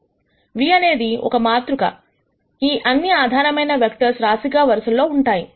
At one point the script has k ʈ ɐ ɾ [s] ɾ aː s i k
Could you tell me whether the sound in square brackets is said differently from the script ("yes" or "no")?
no